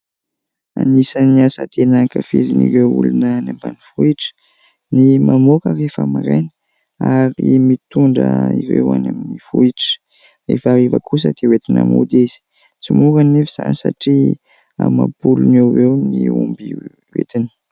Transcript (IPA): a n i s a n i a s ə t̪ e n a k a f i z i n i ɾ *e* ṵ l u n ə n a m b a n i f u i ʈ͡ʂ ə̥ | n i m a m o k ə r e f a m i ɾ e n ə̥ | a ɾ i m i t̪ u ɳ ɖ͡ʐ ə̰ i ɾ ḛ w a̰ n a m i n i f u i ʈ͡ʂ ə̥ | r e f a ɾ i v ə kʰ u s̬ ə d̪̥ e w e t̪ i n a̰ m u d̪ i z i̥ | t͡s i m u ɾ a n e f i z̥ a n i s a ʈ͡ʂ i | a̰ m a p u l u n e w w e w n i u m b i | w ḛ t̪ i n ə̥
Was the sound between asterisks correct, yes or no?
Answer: yes